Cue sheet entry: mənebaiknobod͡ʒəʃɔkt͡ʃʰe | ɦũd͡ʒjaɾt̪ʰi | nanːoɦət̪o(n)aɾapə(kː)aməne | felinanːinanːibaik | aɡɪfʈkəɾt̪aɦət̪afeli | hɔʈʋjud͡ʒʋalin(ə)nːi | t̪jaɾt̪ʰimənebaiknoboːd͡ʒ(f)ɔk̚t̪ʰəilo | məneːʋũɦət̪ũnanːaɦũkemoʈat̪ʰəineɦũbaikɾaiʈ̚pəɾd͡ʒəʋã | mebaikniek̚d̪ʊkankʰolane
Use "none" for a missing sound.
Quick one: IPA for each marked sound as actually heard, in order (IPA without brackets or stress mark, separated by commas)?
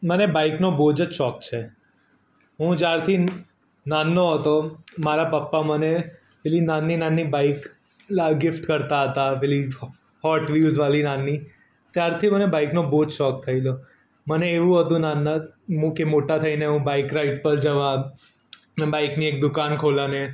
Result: m, pː, a, ʃ